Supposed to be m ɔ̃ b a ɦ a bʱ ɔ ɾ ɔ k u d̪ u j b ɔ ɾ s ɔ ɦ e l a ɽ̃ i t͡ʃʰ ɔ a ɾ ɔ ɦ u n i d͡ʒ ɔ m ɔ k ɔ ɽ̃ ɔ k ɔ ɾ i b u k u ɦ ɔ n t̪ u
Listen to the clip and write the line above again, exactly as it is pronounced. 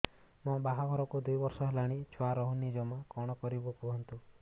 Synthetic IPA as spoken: m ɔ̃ b a ɦ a ɡʱ ɔ ɾ ɔ k u d̪ u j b ɔ ɾ s ɔ ɦ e l a ɽ̃ i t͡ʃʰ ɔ a ɾ ɔ ɦ u n i d͡ʒ ɔ m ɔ k ɔ ɽ̃ ɔ k ɔ ɾ i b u k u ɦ ɔ n t̪ u